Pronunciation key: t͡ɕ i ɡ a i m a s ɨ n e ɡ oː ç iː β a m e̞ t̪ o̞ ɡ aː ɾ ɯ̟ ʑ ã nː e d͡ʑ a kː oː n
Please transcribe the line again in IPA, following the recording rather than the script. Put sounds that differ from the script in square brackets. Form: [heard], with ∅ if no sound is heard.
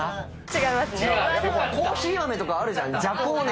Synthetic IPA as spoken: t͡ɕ i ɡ a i m a s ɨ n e [k] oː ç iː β a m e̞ t̪ o̞ [k] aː ɾ ɯ̟ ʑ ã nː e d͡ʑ a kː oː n